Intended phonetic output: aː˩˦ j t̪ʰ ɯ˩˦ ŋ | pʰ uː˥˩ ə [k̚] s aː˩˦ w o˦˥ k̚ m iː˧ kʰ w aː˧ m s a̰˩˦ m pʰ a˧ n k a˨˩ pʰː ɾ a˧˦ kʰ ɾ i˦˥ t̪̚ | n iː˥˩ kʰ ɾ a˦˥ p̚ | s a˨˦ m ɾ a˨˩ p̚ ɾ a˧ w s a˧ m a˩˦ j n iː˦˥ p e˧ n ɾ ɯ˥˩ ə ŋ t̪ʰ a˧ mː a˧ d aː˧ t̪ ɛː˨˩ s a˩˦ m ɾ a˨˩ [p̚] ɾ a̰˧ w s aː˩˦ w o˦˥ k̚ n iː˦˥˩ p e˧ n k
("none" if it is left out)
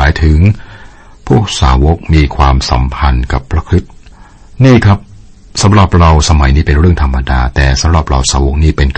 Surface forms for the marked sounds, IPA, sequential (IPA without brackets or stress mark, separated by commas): k̚, p̚